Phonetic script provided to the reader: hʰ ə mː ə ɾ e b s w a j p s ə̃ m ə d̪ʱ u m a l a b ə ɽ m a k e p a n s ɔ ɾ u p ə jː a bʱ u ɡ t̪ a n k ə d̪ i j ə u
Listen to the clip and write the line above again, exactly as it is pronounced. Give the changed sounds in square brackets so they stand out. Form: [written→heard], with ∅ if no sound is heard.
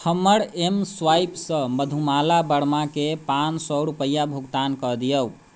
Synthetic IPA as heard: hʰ ə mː ə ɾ e [b→m] s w a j p s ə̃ m ə d̪ʱ u m a l a b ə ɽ m a k e p a n s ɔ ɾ u p ə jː a bʱ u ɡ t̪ a n k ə d̪ i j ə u